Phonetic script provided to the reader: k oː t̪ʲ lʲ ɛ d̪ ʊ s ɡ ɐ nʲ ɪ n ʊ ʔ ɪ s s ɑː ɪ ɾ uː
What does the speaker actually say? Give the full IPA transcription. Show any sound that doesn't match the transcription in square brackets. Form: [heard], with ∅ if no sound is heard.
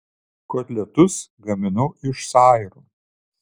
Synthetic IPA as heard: k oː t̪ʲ lʲ ɛ [t̪] ʊ s ɡ ɐ [mʲ] ɪ n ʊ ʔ ɪ [ʃ] s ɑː ɪ ɾ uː